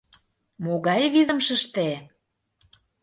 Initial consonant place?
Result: labial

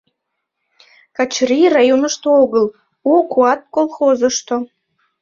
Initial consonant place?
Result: velar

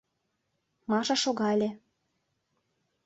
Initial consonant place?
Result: labial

